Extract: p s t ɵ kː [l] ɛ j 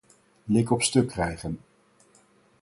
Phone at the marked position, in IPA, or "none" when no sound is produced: r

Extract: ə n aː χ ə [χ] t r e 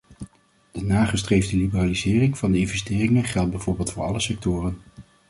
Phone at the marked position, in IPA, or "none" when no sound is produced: s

